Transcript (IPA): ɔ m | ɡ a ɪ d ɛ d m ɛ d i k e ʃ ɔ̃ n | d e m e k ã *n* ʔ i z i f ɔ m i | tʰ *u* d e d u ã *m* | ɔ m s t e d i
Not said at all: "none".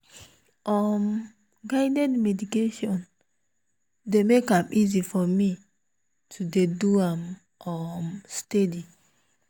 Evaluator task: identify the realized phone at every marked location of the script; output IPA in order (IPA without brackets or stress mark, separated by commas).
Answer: m, u, m